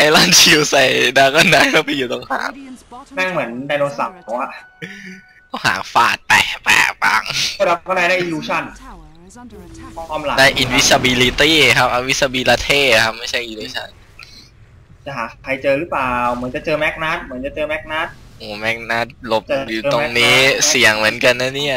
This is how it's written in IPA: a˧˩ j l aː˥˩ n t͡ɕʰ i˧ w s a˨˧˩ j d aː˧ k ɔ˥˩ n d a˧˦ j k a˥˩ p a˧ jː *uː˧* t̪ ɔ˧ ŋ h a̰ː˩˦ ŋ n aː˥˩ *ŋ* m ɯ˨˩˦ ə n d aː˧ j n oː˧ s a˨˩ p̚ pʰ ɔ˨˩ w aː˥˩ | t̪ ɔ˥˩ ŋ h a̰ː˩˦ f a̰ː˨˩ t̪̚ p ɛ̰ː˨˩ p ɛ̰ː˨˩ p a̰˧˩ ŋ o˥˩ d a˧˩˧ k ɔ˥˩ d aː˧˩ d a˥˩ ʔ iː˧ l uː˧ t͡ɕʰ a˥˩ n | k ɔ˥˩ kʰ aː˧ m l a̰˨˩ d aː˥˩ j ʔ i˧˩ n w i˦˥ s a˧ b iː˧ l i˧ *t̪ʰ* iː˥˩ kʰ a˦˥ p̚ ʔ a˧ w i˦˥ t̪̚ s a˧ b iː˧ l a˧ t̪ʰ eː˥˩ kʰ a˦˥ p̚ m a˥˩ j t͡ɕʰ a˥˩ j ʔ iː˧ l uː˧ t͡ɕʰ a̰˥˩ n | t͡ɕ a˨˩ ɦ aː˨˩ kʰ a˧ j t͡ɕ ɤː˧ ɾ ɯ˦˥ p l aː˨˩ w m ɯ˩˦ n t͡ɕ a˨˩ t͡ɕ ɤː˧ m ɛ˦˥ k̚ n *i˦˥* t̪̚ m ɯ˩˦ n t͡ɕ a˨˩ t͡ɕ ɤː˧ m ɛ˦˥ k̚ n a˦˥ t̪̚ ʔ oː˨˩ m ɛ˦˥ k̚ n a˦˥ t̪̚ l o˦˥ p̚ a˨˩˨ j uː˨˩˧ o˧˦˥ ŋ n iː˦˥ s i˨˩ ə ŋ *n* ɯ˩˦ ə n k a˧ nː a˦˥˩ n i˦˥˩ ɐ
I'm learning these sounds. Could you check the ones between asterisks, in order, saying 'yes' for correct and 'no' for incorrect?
no, yes, no, no, no

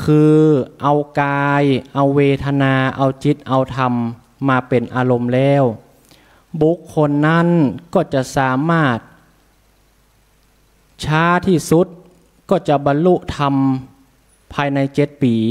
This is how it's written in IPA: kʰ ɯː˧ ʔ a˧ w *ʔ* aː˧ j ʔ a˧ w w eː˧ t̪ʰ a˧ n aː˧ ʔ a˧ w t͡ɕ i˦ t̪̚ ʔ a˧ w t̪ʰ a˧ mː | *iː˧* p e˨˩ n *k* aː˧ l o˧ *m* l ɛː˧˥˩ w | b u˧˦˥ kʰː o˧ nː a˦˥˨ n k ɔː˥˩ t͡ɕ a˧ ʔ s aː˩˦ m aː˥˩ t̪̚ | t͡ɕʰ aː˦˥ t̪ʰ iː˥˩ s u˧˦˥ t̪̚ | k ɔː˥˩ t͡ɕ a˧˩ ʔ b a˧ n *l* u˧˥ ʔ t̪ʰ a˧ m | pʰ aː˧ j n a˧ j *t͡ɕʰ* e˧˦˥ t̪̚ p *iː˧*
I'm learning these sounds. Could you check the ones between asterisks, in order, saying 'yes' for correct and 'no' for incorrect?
no, no, no, yes, yes, no, no

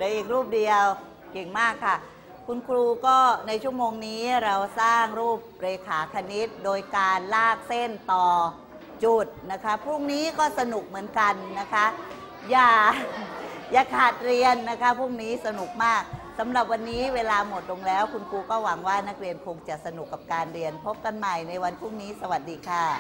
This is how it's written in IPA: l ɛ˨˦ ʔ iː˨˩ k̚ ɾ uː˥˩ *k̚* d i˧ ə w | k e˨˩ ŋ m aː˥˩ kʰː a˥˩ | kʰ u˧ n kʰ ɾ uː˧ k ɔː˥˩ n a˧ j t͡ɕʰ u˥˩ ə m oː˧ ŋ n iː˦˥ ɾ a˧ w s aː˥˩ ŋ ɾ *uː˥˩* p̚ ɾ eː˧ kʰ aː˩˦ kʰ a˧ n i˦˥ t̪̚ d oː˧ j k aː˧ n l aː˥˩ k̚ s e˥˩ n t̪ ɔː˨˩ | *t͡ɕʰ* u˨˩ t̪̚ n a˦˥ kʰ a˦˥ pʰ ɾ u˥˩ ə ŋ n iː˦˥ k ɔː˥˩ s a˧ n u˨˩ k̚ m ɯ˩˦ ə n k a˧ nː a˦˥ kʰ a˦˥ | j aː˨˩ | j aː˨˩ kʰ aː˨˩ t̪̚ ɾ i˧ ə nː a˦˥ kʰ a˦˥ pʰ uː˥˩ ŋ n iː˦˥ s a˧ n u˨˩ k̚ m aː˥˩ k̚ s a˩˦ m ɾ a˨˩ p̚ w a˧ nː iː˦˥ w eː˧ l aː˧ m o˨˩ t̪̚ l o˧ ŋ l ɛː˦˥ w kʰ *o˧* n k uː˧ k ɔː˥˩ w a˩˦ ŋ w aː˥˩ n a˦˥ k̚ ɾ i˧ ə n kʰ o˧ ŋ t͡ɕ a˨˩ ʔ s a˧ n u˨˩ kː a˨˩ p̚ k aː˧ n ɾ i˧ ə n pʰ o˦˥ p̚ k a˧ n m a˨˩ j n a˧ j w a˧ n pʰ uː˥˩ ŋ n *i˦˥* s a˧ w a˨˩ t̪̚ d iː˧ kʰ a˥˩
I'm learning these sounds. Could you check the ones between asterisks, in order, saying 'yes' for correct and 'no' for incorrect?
no, yes, no, no, no

